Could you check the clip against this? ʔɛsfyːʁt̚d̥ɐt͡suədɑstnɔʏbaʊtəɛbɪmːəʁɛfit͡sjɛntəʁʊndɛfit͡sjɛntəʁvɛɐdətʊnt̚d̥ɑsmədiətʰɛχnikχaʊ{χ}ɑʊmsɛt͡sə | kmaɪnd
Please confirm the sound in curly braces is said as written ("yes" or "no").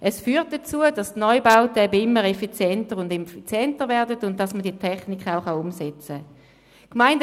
yes